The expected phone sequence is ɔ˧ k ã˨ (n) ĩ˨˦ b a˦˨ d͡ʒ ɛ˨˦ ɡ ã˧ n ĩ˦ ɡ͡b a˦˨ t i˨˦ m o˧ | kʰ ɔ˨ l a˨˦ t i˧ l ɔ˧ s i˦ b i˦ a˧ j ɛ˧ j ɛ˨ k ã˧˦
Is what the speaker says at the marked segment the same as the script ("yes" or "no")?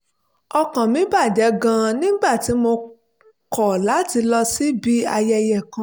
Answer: no